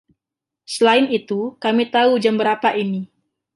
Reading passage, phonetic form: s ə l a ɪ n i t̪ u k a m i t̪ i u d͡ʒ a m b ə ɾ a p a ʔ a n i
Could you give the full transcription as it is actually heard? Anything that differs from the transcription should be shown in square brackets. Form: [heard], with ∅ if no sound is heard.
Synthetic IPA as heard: s ə l a ɪ n i t̪ u k a m i t̪ [a] u d͡ʒ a m b ə ɾ a p a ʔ [i] n i